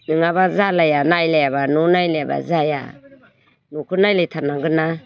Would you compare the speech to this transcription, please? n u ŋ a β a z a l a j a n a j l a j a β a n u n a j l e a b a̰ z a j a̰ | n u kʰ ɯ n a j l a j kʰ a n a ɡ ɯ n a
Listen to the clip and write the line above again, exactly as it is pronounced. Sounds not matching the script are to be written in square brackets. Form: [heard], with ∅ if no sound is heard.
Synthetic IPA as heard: n [ɯ] ŋ a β a z a l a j a n a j l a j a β a n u n a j l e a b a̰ z a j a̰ | n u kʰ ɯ n a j l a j [tʰ] a n a ɡ ɯ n a